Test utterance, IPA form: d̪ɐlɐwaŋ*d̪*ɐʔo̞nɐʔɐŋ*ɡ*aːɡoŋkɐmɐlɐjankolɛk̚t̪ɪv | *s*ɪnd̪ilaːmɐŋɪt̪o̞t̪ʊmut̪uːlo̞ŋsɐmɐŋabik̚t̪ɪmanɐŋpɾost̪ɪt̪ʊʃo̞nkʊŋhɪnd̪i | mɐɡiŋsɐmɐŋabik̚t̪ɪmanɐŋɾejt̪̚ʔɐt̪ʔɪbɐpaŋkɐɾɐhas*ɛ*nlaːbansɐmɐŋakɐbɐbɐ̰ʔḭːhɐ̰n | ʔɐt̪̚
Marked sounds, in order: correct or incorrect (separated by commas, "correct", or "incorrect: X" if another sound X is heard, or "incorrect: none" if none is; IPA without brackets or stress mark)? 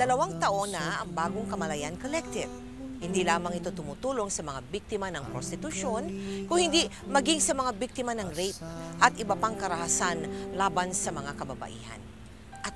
incorrect: t̪, incorrect: b, incorrect: h, incorrect: a